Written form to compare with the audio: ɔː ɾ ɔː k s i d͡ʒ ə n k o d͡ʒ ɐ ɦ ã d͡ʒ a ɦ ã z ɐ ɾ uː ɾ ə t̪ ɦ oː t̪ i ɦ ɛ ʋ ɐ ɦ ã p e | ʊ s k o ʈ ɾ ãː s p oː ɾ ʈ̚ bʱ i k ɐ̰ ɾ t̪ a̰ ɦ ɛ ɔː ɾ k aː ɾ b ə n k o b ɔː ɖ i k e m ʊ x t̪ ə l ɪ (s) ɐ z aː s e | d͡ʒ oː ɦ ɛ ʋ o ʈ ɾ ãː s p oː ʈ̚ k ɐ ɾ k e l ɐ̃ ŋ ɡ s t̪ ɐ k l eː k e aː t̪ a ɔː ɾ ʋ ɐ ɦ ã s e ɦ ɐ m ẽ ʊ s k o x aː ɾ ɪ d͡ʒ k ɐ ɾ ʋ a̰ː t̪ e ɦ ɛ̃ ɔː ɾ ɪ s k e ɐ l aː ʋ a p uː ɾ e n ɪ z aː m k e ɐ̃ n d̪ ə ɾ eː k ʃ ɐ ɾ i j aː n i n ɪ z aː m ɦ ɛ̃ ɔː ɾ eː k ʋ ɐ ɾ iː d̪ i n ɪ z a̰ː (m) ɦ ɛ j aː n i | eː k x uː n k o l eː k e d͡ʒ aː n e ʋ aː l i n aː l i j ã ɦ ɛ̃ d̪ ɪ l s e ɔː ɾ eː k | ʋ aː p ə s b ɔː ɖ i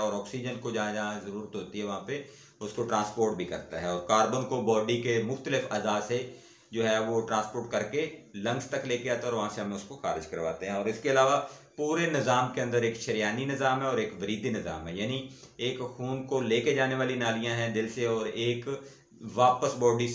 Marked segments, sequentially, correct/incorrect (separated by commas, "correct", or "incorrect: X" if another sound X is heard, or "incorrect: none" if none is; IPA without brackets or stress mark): incorrect: f, correct